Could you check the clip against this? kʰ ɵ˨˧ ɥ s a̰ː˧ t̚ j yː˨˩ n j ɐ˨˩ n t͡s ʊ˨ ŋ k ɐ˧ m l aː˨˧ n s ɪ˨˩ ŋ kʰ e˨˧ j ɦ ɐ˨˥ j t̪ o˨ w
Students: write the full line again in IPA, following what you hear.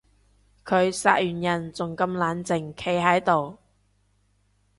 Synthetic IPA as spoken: kʰ ɵ˨˧ ɥ s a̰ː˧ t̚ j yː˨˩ n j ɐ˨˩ n t͡s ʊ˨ ŋ k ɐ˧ m l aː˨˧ n t͡s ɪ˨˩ ŋ kʰ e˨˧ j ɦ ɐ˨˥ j t̪ o˨ w